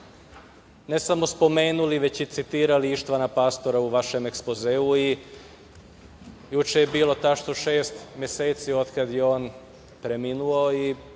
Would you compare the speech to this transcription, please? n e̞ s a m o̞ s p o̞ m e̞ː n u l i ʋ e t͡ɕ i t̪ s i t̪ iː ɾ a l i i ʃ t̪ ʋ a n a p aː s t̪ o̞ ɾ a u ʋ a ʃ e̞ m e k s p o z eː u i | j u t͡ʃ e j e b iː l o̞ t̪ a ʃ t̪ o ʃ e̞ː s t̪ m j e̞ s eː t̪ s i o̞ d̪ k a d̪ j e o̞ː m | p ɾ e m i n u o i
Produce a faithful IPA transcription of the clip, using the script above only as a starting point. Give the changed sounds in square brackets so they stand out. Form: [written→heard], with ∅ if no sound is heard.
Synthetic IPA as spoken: n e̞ s a m o̞ s p o̞ m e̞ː n u l i ʋ e t͡ɕ i t̪ s i t̪ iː ɾ a l i i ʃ t̪ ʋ a n a p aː s t̪ o̞ ɾ a u ʋ a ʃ e̞ m e k s p o z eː u i | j u t͡ʃ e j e b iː l o̞ t̪ a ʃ t̪ o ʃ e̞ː s t̪ m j e̞ s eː t̪ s i o̞ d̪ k a d̪ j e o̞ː [m→n] | p ɾ e m i n u o i